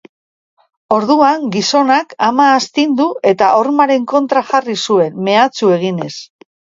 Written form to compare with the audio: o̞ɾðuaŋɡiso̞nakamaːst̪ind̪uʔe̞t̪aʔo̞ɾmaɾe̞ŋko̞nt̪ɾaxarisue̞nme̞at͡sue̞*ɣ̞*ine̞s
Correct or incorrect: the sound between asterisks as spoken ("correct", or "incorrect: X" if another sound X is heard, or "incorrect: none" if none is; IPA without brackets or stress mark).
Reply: correct